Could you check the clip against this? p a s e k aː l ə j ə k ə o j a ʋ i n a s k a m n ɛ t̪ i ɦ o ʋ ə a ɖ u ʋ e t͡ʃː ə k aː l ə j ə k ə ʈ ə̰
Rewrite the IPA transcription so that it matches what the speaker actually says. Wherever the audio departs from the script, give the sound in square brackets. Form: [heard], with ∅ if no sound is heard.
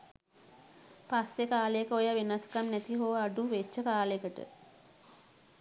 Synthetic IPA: p a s e k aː l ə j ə k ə o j a ʋ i n a s k a m n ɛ t̪ i ɦ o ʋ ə a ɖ u ʋ e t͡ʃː ə k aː l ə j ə k ə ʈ ə̰